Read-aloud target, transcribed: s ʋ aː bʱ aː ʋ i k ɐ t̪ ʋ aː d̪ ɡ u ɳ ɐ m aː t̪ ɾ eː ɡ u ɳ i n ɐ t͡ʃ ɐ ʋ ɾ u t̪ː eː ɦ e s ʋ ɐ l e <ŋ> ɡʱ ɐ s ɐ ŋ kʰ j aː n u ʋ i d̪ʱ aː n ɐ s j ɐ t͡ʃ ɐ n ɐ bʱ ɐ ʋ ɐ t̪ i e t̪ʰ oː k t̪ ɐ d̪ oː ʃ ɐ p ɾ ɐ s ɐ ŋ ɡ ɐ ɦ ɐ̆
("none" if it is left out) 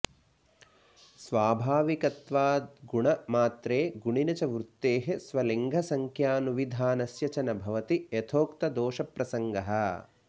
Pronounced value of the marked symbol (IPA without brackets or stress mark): ŋ